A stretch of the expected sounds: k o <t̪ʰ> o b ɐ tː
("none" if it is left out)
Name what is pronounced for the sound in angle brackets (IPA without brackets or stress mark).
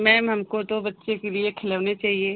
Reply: t̪